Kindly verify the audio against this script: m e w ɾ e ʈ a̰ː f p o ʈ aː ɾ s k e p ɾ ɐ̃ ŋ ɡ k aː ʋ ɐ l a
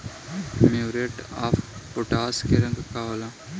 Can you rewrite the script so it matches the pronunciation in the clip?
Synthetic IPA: m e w ɾ e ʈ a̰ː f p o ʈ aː s k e ɾ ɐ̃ ŋ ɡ k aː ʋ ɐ l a